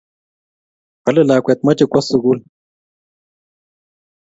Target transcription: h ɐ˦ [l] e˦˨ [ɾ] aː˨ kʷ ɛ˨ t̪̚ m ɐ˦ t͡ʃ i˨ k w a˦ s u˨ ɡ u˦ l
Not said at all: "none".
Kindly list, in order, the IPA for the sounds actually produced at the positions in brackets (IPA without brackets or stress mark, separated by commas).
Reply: l, l